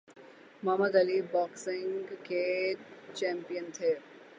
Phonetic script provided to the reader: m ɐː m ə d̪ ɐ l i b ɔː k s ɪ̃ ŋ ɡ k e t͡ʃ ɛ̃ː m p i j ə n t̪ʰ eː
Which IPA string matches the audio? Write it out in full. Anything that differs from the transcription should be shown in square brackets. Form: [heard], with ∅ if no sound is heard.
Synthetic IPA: m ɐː m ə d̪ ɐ l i b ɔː k s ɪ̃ ŋ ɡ k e t͡ʃ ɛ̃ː m p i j ə n t̪ʰ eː